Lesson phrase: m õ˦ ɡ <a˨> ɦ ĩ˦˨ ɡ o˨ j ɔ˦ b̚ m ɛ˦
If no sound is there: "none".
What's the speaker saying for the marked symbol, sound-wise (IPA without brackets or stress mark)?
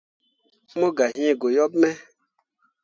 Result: a˨